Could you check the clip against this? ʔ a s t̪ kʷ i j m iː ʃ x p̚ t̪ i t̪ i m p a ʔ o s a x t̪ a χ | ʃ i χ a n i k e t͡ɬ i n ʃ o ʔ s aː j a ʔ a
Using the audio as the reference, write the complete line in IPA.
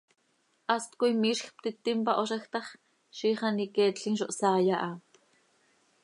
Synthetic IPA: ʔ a s t̪ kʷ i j m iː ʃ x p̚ t̪ i t̪ i m p a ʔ o ʃ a x t̪ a χ | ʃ i χ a n i k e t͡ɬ i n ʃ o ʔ s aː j a ʔ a